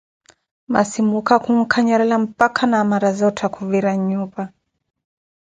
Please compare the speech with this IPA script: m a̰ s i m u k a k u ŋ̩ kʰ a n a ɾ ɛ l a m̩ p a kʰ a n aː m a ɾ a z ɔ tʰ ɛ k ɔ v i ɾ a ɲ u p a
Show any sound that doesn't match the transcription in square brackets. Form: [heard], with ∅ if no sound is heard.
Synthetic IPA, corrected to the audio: m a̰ s i m u k a k u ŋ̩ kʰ a [ɲ] a ɾ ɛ l a m̩ p a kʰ a n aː m a ɾ a z ɔ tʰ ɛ k [u] v i ɾ a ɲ u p a